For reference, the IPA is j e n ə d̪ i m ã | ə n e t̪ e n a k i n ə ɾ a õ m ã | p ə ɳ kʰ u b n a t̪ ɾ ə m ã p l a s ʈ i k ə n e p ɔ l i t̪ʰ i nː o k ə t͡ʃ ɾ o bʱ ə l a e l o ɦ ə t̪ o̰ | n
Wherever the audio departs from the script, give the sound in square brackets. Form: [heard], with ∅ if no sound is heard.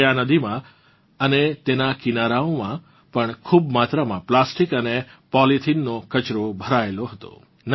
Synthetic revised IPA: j [a] n ə d̪ i m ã | ə n e t̪ e n a k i n [a] ɾ a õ m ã | p ə ɳ kʰ u b [m] a t̪ ɾ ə m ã p l a s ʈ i k ə n e p ɔ l i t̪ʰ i nː o k ə t͡ʃ ɾ o bʱ ə [ɾ] a e l o ɦ ə t̪ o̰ | n